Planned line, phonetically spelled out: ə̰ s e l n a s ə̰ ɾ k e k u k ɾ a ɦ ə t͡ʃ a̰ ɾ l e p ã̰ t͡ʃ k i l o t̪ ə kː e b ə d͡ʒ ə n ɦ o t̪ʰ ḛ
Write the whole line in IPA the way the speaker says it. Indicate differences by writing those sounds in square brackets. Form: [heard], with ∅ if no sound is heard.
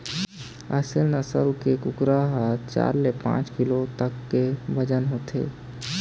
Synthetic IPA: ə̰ s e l n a s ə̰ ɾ k e k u k ɾ a ɦ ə t͡ʃ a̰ ɾ l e p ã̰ t͡ʃ k i l o t̪ ə kː e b ə d͡ʒ ə n ɦ o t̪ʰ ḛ